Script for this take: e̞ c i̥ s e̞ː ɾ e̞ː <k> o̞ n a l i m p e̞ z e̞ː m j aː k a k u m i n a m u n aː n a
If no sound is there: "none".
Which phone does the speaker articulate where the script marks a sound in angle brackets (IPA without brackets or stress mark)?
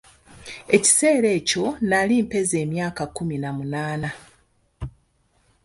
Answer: c